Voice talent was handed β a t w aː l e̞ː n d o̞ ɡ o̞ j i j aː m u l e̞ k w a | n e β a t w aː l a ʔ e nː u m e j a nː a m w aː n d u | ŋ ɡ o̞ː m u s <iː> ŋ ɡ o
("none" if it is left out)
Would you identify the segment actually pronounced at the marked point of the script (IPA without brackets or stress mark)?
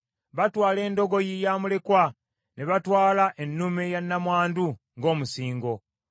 iː